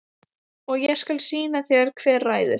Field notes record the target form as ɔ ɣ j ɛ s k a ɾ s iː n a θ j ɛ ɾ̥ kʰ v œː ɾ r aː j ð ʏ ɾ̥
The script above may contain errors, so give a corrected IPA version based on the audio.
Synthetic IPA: ɔ ɣ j ɛ s k a l s iː n a θ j ɛ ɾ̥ kʰ v ɛː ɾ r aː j ð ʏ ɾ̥